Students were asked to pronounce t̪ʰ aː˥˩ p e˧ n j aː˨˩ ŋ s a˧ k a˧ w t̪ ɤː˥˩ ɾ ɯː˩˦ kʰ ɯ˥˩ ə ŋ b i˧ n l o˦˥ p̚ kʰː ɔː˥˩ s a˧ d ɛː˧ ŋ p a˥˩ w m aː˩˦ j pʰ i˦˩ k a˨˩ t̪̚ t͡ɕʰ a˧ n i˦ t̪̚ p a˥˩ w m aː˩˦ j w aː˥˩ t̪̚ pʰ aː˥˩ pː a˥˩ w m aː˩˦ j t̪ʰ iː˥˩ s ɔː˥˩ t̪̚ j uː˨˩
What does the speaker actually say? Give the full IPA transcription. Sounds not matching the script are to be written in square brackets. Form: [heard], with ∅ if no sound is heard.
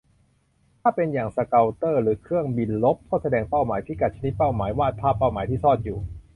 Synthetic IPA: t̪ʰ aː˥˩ p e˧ n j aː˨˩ ŋ s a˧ k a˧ w t̪ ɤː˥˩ ɾ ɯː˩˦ kʰ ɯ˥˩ ə ŋ b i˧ n l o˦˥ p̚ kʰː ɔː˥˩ s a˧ d ɛː˧ ŋ p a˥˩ w m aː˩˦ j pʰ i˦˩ k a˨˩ t̪̚ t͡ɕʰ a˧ n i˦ t̪̚ p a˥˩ w m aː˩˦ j w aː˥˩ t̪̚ pʰ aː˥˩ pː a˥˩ w m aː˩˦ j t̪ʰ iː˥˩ s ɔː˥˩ t̪̚ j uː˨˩

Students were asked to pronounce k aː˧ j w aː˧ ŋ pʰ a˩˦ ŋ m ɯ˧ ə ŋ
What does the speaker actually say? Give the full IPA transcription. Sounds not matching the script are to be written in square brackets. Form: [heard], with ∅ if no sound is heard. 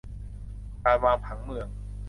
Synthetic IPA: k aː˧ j w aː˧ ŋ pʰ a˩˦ ŋ m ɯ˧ ə ŋ

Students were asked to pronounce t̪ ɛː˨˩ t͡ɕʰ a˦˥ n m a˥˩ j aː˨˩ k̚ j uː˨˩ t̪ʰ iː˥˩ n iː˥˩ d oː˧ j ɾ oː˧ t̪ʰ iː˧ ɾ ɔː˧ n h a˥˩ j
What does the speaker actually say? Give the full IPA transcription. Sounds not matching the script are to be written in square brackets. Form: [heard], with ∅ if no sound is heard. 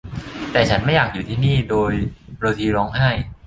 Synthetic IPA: t̪ ɛː˨˩ t͡ɕʰ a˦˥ n m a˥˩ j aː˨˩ k̚ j uː˨˩ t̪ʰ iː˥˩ n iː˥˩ d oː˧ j ɾ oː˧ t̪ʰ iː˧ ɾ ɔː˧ [ŋ] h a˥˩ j

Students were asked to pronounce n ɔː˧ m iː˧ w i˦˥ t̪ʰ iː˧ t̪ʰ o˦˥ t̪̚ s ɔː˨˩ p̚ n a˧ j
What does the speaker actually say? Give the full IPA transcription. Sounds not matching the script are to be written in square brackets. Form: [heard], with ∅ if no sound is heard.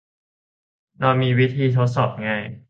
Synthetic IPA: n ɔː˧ m iː˧ w i˦˥ t̪ʰ iː˧ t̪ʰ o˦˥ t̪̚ s ɔː˨˩ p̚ [ŋ] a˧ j

